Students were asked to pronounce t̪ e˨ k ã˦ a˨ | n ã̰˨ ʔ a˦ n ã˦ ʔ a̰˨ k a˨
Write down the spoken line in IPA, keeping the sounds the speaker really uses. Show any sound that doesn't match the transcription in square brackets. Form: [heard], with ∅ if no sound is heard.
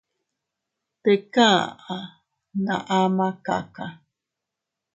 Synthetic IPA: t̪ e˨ k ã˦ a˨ | n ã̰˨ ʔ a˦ [m] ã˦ [k] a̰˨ k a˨